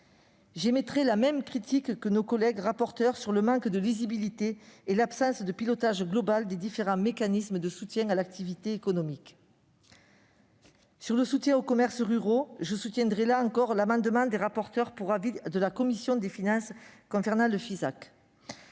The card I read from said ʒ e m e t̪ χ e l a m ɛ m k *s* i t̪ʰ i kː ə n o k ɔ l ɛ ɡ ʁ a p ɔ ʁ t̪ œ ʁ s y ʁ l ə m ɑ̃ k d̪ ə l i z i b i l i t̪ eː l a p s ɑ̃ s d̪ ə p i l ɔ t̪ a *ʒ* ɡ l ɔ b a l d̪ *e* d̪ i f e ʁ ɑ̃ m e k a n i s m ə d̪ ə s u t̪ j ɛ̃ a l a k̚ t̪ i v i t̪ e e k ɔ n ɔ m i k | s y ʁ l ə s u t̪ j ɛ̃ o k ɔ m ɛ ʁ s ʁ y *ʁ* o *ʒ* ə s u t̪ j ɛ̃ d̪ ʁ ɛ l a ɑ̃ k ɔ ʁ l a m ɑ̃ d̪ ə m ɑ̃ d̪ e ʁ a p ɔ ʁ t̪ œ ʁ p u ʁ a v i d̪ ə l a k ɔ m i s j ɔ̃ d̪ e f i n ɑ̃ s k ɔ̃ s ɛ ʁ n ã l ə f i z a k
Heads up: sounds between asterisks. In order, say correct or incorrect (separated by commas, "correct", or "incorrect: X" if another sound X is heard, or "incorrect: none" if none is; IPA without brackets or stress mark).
incorrect: χ, correct, correct, correct, correct